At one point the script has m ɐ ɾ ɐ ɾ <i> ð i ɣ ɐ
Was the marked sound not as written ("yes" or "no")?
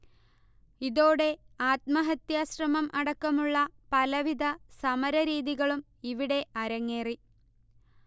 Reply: yes